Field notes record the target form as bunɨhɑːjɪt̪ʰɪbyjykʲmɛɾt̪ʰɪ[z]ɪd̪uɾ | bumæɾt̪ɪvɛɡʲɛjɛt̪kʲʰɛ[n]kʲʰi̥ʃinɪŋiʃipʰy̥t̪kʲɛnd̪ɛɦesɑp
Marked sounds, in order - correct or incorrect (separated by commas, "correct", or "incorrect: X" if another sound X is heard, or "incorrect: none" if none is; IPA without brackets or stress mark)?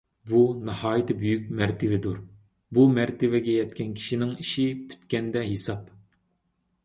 incorrect: v, correct